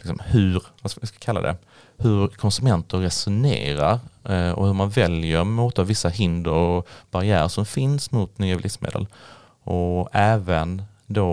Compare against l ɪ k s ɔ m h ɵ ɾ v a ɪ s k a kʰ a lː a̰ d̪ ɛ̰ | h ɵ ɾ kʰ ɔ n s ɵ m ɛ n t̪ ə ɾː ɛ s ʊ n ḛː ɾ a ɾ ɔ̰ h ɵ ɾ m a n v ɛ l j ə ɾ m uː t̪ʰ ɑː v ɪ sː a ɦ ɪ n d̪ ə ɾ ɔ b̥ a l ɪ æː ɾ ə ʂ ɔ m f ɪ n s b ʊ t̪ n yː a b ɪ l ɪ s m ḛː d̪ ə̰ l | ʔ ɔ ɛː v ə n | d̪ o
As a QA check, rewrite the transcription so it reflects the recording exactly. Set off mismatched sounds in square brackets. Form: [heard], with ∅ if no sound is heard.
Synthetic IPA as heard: l ɪ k s ɔ m h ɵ ɾ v a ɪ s k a kʰ a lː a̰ d̪ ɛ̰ | h ɵ ɾ kʰ ɔ n s ɵ m ɛ n t̪ ə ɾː ɛ s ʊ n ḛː ɾ a ɾ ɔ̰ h ɵ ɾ m a n v ɛ l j ə ɾ m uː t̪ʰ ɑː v ɪ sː a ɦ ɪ n d̪ ə ɾ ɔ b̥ a [ɾ] ɪ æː ɾ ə ʂ ɔ m f ɪ n s [m] ʊ t̪ n yː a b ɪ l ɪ s m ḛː d̪ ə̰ l | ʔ ɔ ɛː v ə n | d̪ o